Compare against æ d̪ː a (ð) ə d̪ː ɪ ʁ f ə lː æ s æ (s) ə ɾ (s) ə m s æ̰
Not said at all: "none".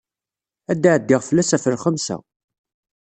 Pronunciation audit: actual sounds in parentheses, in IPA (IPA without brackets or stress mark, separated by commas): ʕ, f, χ